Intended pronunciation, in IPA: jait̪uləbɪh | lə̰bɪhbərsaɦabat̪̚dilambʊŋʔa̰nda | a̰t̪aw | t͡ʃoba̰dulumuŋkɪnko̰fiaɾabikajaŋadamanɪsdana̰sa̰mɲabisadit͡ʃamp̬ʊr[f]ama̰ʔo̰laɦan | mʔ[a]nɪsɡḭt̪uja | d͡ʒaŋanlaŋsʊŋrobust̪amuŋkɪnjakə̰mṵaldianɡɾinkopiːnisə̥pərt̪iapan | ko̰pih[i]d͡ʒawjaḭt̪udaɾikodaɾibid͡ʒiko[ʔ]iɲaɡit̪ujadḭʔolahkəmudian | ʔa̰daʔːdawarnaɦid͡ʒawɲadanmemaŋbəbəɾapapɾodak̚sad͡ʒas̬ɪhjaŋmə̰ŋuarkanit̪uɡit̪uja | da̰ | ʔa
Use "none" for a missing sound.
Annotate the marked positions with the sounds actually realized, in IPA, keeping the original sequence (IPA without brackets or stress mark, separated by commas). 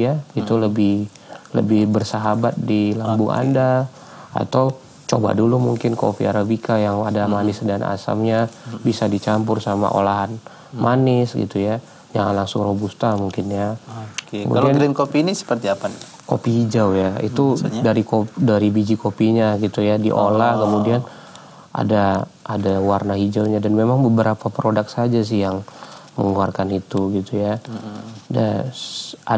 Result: s, a, i, p